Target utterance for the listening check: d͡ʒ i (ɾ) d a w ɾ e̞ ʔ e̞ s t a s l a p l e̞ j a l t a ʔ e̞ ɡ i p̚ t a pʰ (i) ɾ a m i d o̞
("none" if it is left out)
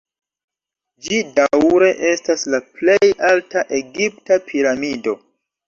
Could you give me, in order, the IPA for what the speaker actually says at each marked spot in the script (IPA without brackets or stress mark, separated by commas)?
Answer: none, i